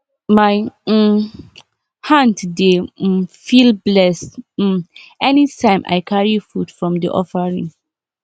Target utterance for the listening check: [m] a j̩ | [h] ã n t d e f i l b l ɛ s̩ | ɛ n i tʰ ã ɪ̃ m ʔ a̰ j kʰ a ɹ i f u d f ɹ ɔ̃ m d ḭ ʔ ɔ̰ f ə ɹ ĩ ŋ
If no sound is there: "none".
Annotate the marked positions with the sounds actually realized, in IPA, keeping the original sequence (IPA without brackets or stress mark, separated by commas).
m, h